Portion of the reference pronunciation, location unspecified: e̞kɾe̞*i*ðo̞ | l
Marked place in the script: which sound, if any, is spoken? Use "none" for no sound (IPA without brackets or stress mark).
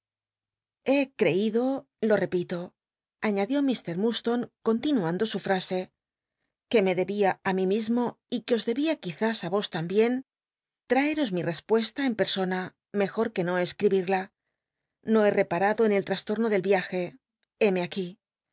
i